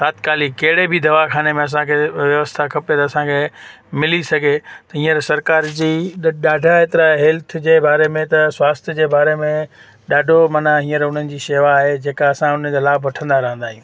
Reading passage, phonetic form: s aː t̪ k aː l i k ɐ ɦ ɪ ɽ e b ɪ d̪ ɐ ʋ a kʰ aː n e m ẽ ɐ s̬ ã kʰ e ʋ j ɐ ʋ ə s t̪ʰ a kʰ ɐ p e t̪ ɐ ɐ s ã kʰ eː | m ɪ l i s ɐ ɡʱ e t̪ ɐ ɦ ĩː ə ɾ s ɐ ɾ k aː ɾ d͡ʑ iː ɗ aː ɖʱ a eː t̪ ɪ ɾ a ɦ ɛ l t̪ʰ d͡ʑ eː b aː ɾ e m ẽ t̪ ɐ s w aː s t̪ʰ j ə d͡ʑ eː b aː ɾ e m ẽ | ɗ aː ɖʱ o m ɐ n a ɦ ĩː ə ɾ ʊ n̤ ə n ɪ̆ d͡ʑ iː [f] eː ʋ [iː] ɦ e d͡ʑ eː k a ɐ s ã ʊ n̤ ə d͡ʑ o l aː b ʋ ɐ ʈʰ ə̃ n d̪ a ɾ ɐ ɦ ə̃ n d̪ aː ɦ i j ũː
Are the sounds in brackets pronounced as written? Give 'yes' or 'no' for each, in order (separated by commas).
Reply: no, no